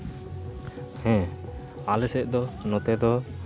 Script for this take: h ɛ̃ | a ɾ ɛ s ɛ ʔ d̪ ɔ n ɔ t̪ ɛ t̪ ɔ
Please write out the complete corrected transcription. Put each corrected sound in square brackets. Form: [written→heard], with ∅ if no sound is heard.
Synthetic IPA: h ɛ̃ | a [ɾ→l] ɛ s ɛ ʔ d̪ ɔ n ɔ t̪ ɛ [t̪→d̪] ɔ